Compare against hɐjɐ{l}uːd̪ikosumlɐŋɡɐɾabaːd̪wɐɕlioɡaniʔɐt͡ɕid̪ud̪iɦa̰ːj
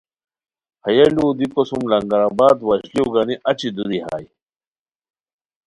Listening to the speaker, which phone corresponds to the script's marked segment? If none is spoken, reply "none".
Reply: l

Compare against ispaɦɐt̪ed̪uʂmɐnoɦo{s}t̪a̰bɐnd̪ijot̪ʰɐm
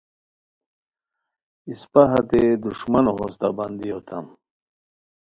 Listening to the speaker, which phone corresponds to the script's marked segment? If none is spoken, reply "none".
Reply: s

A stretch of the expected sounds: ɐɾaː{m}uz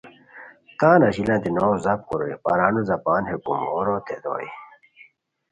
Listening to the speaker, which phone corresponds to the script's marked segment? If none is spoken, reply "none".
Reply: n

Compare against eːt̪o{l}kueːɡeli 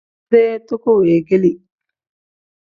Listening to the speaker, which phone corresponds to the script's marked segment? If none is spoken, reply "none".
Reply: none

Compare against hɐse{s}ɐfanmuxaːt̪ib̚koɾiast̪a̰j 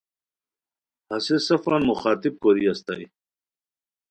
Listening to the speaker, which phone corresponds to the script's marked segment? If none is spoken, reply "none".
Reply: s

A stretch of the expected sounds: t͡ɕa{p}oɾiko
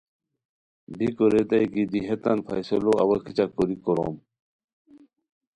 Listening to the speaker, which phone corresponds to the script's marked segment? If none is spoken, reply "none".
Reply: k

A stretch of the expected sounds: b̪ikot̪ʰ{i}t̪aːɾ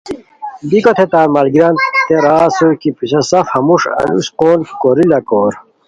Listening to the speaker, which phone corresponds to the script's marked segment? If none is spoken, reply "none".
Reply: e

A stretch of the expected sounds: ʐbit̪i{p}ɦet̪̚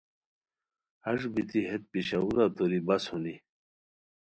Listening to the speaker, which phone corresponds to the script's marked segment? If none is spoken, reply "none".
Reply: none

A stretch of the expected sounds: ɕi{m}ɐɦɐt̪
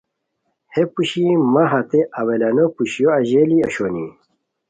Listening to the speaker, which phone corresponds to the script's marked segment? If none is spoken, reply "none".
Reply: m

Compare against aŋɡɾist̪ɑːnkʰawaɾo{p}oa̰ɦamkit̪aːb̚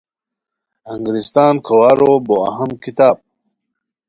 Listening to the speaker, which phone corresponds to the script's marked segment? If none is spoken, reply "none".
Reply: b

